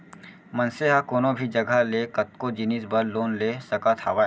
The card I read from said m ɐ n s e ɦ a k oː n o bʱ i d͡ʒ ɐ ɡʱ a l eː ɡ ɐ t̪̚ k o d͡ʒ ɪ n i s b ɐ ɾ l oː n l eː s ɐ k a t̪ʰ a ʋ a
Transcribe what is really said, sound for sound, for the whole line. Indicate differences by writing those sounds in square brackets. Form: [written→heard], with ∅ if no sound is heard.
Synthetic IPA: m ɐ n s e ɦ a k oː n o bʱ i d͡ʒ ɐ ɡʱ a l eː [ɡ→k] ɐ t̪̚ k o d͡ʒ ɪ n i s b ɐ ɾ l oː n l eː s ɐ k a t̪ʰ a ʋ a